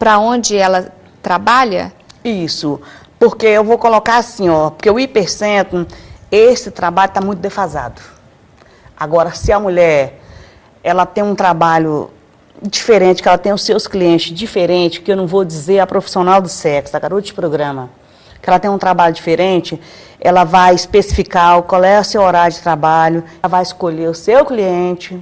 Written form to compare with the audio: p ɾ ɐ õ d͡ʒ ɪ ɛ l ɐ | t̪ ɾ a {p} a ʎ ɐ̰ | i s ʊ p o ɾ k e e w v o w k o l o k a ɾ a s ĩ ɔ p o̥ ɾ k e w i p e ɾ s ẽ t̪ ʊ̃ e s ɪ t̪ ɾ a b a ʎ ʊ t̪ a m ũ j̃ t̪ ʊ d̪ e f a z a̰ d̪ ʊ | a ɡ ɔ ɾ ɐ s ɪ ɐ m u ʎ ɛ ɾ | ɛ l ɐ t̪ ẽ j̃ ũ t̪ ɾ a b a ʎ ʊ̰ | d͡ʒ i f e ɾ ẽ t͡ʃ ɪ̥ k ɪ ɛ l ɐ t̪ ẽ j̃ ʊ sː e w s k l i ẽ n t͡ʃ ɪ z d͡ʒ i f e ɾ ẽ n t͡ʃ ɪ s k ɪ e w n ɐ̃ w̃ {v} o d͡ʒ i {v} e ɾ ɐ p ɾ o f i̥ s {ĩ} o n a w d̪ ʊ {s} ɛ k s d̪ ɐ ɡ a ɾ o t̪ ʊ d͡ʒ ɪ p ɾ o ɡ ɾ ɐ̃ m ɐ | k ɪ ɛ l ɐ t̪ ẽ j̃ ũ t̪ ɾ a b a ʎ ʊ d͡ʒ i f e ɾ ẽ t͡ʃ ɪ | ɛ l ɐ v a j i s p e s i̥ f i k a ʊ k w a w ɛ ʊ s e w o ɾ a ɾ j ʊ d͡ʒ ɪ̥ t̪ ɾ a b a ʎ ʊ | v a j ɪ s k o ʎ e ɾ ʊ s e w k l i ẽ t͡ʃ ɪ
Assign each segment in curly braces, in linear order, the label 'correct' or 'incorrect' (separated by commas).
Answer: incorrect, correct, incorrect, incorrect, correct